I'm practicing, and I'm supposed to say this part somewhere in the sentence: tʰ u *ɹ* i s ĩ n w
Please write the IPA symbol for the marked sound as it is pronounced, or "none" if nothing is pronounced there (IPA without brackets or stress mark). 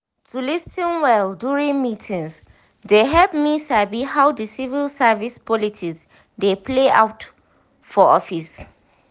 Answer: l